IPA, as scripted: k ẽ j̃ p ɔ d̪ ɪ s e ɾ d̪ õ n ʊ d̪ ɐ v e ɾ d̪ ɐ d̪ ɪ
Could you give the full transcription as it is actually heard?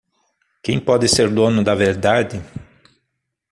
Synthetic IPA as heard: k ẽ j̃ p ɔ d̪ ɪ s e ɾ d̪ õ n ʊ d̪ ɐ v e ɾ d̪ a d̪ ɪ